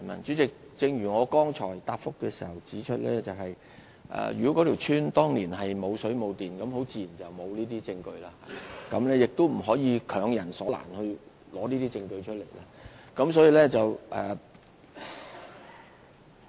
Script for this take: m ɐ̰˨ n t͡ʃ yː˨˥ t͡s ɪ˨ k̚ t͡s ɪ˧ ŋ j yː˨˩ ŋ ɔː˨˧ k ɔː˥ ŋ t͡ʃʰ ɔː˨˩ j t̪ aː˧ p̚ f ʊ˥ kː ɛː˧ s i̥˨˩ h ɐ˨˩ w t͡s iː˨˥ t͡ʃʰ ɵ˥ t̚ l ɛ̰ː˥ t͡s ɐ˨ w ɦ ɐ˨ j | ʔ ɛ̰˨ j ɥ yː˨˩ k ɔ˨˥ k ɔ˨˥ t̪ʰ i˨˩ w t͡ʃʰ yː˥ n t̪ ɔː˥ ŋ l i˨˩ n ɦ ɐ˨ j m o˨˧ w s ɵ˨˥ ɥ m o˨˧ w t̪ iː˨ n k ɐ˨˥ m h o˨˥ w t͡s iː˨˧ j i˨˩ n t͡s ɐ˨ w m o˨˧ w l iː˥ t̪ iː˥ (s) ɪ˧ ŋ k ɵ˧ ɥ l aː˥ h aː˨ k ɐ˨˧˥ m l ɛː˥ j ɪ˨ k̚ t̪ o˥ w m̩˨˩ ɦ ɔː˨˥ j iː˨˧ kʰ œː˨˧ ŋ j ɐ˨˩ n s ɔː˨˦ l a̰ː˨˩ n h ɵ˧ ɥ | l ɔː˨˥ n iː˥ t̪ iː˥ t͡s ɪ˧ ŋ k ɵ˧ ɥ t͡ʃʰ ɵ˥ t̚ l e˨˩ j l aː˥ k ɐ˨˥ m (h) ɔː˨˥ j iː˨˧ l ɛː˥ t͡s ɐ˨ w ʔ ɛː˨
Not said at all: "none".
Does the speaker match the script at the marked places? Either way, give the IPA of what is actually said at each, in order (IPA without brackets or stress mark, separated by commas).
t͡s, s